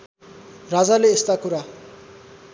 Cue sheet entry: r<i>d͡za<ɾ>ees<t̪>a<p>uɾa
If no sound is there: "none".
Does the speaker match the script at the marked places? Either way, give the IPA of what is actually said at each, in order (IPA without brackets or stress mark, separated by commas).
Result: a, l, t̪, k